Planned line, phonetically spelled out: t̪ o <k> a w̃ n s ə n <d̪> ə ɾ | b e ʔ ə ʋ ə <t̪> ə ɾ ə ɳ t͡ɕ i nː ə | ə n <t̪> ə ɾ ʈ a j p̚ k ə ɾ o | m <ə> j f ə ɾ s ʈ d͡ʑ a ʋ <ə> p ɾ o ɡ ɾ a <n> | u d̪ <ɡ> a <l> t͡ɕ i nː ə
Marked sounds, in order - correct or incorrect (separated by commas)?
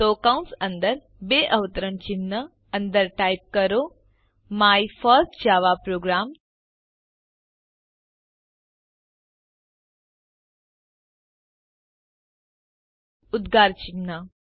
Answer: correct, correct, correct, incorrect, incorrect, incorrect, incorrect, correct, incorrect